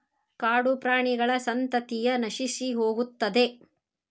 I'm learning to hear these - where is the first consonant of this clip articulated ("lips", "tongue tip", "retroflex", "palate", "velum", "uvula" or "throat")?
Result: velum